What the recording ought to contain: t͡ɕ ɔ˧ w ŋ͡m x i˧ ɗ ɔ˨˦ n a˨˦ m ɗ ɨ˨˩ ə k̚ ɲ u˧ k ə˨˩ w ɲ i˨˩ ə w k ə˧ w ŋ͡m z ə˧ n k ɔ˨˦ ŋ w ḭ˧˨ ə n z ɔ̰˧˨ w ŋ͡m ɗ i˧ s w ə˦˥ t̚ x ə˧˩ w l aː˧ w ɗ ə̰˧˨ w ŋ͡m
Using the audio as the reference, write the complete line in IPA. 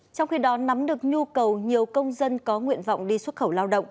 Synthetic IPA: t͡ɕ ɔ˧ w ŋ͡m x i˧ ɗ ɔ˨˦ n a˨˦ m ɗ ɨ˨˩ ə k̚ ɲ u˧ k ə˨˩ w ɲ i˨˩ ə w k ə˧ w ŋ͡m z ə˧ n k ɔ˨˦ ŋ w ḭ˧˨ ə n v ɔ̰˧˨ w ŋ͡m ɗ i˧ s w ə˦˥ t̚ x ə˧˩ w l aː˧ w ɗ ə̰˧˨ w ŋ͡m